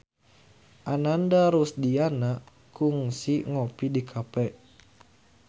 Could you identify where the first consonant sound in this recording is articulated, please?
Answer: glottal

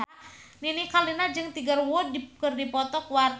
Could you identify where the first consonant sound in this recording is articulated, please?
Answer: alveolar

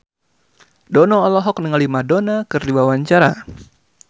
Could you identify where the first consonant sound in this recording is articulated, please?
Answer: alveolar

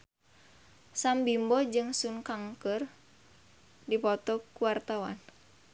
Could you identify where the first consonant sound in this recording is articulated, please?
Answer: alveolar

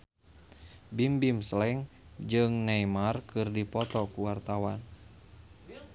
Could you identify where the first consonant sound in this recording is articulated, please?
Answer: labial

